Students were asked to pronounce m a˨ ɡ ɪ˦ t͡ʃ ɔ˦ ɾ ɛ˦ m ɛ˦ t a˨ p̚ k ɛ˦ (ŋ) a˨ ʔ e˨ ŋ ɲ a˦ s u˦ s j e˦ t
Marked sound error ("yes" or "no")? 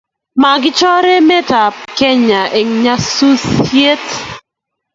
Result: yes